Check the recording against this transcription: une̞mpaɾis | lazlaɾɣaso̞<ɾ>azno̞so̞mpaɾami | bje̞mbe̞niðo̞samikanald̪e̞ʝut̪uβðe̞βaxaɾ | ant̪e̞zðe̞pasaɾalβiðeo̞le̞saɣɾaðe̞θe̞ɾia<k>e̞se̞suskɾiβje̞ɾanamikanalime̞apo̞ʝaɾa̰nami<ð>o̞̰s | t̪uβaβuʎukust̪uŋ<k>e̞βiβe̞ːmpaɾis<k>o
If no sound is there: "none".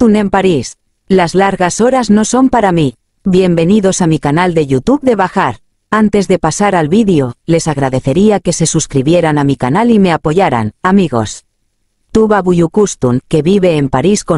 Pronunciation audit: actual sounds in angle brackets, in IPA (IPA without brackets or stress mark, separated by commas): ɾ, k, ɣ, k, k